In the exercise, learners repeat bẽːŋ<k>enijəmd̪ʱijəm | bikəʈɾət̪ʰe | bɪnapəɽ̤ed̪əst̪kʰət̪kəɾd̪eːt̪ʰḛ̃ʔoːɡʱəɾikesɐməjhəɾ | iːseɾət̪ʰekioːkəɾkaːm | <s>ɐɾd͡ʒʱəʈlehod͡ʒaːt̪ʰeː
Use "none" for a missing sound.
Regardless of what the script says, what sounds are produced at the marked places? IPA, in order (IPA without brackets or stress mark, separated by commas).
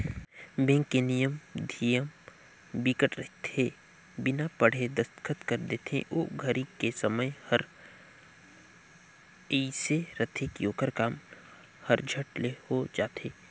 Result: k, h